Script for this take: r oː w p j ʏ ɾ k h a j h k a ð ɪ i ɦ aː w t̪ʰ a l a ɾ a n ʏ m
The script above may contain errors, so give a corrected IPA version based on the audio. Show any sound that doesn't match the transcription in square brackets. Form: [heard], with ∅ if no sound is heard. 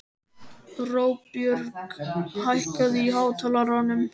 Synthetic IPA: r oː w p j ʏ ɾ k h a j h k a ð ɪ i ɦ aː w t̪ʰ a l a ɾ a n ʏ m